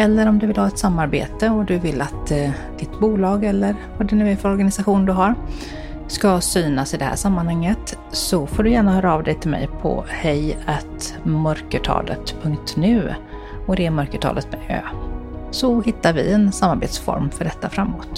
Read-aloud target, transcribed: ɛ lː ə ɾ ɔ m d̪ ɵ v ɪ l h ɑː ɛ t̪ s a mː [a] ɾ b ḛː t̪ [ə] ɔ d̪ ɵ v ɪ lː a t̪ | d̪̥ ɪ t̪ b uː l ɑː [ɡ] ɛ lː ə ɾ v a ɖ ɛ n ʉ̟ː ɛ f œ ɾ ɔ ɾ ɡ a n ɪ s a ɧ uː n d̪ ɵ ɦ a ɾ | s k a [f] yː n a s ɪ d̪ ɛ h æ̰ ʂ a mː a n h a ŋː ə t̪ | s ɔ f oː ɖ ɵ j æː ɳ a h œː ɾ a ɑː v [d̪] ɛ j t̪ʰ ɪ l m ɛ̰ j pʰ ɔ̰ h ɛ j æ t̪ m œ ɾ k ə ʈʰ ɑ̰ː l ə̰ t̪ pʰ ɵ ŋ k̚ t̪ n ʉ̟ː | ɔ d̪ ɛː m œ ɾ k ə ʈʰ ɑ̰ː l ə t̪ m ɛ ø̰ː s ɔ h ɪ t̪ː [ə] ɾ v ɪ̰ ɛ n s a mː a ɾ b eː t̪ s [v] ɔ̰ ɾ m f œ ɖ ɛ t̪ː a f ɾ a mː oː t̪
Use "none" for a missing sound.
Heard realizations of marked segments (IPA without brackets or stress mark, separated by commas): a, ə, ɡ, s, d̪, a, f